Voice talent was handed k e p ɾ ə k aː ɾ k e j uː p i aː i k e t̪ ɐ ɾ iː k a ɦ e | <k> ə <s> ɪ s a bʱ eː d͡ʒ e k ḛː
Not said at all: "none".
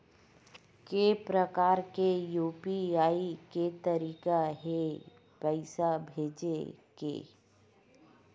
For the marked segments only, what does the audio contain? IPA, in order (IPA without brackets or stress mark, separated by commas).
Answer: p, none